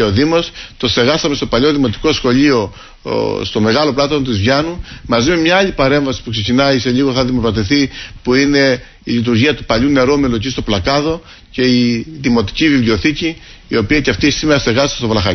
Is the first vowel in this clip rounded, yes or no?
yes